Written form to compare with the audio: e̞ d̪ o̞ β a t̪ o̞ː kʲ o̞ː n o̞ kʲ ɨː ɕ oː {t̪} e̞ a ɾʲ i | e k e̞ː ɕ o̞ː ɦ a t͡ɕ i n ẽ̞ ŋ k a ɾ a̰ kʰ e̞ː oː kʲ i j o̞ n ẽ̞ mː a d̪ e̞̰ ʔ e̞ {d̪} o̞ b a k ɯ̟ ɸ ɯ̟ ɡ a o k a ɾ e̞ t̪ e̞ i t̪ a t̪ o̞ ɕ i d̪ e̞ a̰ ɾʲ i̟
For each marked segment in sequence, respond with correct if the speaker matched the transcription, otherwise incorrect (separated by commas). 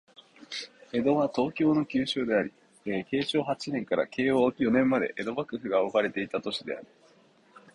incorrect, correct